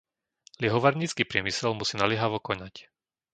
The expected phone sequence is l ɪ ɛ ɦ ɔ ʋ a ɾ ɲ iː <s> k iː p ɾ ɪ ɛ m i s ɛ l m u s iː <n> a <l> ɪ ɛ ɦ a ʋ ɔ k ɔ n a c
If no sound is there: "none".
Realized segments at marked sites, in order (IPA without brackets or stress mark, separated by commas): t͡s, n, l